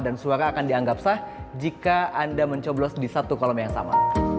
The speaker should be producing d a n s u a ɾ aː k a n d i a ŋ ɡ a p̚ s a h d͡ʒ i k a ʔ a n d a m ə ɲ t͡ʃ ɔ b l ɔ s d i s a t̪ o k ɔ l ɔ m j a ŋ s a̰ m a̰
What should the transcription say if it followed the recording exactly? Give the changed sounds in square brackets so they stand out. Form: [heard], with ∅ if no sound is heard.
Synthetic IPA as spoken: d a n s u a ɾ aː k a n d i a ŋ ɡ a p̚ s a h d͡ʒ i k a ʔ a n d a m ə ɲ t͡ʃ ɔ b l ɔ s d i s a t̪ [u] k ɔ l ɔ m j a ŋ s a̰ m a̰